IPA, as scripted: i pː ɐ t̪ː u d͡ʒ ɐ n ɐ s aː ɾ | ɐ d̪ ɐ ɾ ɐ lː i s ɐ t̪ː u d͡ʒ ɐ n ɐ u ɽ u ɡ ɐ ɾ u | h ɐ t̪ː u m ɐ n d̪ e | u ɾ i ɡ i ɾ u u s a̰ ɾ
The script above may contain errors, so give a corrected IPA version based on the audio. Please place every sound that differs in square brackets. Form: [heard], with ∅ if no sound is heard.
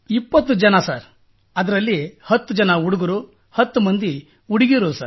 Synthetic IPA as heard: i pː ɐ t̪ː u d͡ʒ ɐ n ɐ s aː ɾ | ɐ d̪ ɐ ɾ ɐ lː i [h] ɐ t̪ː u d͡ʒ ɐ n ɐ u ɽ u ɡ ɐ ɾ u | h ɐ t̪ː u m ɐ n d̪ [i] | u [ɽ] i ɡ i ɾ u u s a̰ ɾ